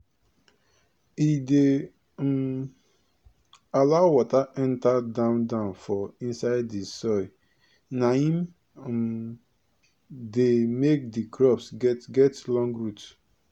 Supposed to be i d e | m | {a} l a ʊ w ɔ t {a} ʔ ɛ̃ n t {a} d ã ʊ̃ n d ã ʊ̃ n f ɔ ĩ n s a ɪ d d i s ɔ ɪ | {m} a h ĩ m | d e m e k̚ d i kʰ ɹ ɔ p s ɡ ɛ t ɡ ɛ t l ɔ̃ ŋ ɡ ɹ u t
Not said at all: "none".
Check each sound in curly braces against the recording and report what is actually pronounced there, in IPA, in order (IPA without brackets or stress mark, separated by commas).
a, a, a, n